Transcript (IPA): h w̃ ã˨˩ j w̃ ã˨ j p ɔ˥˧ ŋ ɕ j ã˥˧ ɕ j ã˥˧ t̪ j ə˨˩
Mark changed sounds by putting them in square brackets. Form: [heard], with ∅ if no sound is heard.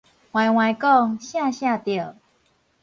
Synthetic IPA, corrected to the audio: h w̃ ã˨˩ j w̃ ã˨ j [k] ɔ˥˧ ŋ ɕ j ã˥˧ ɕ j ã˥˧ t̪ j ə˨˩